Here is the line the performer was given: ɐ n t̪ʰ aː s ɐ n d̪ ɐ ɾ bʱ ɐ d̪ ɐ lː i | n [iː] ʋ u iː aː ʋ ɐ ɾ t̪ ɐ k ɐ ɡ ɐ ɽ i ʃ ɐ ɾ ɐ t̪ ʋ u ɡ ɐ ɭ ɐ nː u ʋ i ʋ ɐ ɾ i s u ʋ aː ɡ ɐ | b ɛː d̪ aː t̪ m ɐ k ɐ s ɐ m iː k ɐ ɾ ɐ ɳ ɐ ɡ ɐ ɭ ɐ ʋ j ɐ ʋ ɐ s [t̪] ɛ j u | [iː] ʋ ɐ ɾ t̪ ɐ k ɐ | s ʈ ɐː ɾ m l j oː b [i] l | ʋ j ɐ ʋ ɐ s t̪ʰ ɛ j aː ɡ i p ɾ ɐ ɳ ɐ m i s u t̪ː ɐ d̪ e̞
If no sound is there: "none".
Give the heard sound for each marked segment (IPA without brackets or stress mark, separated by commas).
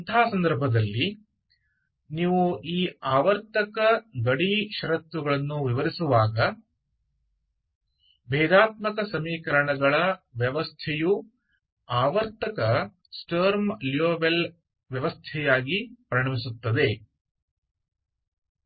iː, t̪ʰ, aː, e